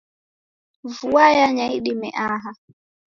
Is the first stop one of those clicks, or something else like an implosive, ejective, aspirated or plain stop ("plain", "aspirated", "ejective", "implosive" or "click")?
implosive